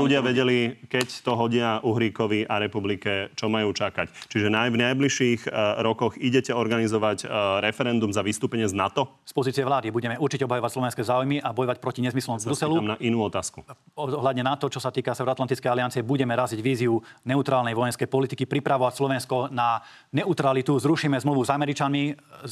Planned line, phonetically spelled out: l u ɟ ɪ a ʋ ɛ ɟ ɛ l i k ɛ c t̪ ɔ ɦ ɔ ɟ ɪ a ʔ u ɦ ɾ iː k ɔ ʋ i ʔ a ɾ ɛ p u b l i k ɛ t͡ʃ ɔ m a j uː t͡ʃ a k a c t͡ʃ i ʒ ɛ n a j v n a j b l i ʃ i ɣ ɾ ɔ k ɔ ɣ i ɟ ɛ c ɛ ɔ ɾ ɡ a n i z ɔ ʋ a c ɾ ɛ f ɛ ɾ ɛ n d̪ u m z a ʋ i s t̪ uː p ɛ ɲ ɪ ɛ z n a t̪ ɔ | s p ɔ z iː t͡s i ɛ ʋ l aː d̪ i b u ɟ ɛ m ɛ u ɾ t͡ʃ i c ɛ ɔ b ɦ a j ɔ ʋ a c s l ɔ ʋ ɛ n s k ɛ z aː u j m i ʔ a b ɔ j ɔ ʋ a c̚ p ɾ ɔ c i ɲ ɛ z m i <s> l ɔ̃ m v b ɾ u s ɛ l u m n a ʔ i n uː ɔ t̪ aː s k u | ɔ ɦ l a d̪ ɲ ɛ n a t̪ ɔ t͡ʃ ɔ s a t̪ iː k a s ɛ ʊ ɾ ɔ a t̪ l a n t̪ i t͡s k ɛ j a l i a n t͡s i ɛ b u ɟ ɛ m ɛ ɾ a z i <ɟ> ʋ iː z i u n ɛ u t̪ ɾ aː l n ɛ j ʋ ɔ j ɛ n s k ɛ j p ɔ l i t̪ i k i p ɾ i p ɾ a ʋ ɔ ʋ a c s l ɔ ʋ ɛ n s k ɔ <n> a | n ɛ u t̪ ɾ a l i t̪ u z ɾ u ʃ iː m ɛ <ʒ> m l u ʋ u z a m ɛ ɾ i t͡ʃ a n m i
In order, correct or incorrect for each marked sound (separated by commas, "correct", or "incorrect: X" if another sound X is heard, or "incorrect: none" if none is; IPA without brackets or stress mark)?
correct, correct, correct, incorrect: z